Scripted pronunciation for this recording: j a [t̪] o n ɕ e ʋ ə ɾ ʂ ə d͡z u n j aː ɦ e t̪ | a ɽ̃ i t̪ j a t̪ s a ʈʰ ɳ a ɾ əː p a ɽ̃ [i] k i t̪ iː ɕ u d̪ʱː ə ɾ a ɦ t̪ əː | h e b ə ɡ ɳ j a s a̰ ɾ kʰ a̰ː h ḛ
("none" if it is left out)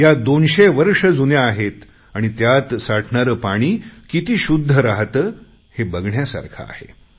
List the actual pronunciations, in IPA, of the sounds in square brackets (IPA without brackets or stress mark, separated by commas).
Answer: d̪, iː